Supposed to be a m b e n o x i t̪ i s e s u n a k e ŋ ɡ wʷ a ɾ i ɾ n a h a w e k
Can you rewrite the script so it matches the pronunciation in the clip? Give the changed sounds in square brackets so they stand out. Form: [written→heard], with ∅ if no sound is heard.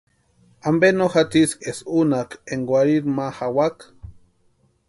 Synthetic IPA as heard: a m b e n o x [i→a] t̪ i s e s u n a k e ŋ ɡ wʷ a ɾ i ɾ [n→m] a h a w [e→a] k